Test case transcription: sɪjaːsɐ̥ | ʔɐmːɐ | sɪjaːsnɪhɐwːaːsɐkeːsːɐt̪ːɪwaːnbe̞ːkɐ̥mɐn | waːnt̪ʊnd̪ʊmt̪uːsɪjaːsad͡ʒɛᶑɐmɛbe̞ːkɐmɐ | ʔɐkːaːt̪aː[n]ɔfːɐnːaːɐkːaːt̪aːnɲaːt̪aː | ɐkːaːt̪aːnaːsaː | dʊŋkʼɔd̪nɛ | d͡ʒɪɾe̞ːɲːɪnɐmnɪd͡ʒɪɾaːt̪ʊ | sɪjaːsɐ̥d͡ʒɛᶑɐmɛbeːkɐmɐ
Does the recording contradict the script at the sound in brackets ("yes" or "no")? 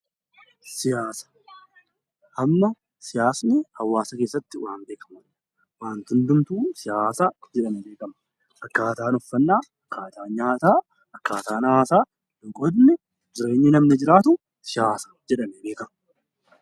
no